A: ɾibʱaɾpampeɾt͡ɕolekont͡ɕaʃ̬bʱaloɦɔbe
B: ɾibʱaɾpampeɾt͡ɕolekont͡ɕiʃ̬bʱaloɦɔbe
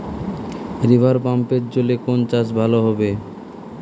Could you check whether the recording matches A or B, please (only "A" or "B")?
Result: A